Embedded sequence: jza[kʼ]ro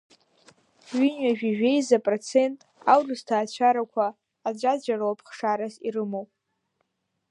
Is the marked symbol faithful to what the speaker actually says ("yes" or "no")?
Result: no